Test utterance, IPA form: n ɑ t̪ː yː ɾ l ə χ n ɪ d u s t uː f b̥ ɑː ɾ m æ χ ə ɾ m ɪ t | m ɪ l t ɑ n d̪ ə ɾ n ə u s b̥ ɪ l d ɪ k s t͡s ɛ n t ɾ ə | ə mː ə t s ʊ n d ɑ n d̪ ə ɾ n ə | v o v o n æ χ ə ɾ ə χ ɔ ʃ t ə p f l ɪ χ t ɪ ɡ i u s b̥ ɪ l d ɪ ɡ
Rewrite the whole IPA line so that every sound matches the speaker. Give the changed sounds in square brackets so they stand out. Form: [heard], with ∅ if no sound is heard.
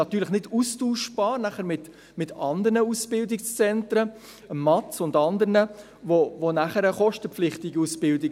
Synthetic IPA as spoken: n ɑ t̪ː yː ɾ l ə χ n ɪ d u s t uː [ʃ] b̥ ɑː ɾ [n] æ χ ə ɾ m ɪ t | m ɪ [∅] t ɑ n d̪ ə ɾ n ə u s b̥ ɪ l d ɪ k s t͡s ɛ n t ɾ ə | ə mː [ɑ] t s ʊ n d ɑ n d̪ ə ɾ n ə | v o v o n æ χ ə ɾ ə χ ɔ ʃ t ə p f l ɪ χ t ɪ ɡ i u s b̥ ɪ l d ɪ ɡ